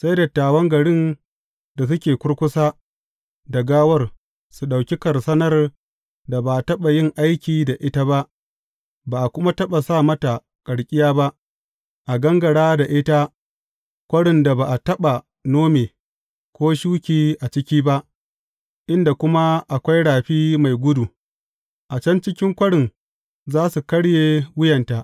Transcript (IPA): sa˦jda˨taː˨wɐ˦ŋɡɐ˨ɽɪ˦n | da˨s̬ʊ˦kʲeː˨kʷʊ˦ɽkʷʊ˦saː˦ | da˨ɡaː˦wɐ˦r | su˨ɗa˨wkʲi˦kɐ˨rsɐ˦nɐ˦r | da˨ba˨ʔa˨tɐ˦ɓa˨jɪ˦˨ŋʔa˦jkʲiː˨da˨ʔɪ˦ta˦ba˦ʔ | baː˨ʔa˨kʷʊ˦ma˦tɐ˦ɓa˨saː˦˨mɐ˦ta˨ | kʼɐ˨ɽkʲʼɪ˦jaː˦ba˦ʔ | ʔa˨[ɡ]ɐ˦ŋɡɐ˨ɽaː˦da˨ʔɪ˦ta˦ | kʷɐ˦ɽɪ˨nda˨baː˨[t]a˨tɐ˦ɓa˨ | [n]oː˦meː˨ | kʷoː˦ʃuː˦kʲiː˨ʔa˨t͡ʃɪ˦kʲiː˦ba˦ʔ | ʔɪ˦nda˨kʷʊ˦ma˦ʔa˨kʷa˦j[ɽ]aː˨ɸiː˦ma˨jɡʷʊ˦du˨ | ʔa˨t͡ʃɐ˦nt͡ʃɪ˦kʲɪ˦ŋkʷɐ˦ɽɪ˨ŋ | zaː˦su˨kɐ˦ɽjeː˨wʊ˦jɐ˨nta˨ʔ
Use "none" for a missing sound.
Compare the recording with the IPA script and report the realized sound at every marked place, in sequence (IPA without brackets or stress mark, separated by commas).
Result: ɡ, ʔ, n, ɽ